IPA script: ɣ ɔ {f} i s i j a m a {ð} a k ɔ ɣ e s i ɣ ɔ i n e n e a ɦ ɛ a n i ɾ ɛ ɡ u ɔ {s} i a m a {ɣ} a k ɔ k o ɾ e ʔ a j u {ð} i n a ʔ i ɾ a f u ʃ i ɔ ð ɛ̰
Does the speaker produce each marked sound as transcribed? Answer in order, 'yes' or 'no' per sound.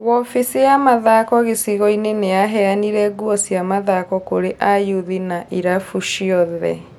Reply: yes, yes, yes, no, yes

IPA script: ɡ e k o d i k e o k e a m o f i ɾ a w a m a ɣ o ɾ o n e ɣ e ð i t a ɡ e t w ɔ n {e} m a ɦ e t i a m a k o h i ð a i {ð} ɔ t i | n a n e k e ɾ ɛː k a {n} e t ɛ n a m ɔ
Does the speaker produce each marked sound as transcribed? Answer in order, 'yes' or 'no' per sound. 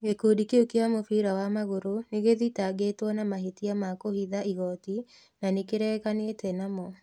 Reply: no, no, yes

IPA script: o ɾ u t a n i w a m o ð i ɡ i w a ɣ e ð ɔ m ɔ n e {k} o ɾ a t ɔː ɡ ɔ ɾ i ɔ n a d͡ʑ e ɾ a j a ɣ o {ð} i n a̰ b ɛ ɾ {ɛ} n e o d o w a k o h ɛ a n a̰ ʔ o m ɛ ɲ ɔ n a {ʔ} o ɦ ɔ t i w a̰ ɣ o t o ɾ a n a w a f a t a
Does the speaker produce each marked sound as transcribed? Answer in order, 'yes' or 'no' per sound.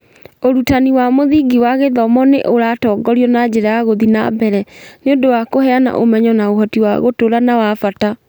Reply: no, yes, yes, no

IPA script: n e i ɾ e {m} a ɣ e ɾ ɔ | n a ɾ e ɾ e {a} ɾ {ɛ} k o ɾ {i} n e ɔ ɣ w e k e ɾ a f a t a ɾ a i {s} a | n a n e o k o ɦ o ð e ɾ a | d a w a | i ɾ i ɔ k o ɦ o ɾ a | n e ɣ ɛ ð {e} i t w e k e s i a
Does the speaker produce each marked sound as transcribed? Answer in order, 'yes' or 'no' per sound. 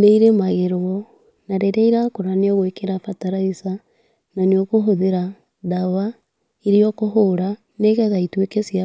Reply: yes, no, no, no, yes, no

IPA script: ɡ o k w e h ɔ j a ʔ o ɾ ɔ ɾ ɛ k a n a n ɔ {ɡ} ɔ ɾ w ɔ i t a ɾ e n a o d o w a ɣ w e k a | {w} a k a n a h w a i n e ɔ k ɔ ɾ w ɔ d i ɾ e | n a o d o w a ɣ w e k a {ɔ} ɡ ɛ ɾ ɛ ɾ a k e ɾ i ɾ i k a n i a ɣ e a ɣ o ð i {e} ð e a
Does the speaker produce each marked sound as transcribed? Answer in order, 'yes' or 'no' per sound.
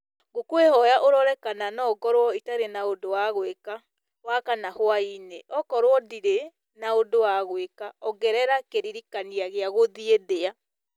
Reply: yes, yes, yes, yes

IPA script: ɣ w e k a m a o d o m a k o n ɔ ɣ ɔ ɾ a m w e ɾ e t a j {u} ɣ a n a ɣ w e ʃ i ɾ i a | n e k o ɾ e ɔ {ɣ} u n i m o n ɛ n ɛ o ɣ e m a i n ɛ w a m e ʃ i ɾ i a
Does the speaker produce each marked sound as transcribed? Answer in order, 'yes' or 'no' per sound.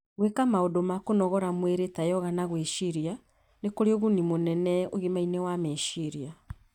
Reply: no, yes

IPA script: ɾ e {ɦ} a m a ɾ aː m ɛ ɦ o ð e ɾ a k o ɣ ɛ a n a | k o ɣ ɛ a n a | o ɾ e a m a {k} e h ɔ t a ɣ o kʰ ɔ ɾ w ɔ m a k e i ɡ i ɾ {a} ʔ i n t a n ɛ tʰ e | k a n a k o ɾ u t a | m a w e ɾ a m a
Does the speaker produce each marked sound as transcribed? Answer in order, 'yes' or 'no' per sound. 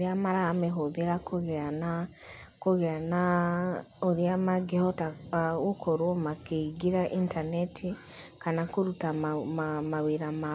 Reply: no, no, yes

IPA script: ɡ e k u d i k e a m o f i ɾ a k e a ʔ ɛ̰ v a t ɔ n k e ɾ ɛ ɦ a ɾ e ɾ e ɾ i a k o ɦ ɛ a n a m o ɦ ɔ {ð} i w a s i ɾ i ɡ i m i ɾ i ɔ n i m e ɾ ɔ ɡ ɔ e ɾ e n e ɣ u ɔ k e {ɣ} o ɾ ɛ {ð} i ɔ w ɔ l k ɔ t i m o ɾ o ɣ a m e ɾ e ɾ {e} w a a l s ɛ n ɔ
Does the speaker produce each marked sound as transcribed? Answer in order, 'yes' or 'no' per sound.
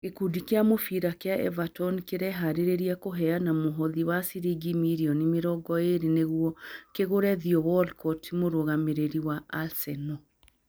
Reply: yes, yes, yes, no

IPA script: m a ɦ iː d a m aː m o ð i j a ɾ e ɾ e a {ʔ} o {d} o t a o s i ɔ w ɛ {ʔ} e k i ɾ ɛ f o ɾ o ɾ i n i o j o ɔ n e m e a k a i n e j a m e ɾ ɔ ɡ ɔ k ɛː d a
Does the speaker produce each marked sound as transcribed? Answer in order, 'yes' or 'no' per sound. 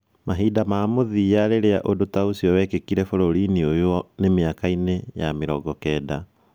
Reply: yes, yes, no

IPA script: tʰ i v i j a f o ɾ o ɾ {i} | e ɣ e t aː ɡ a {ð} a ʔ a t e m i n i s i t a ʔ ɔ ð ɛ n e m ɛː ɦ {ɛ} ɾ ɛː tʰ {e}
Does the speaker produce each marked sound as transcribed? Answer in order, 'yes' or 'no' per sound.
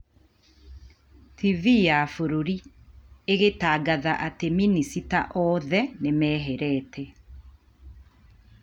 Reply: yes, yes, yes, no

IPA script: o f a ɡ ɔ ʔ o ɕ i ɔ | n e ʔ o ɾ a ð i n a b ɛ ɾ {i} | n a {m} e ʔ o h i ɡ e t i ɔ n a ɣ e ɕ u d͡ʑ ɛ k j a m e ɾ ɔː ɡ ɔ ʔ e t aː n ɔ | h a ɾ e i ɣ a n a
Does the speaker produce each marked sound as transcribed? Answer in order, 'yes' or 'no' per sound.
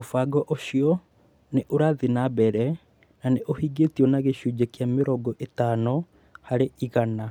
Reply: no, no

